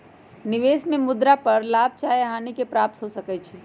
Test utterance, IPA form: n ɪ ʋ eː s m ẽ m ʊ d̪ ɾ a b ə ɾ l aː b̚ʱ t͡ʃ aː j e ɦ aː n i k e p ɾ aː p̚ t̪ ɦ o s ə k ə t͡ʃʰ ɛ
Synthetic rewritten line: n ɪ ʋ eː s m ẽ m ʊ d̪ ɾ a p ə ɾ l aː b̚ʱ t͡ʃ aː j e ɦ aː n i k e p ɾ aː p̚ t̪ ɦ o s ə k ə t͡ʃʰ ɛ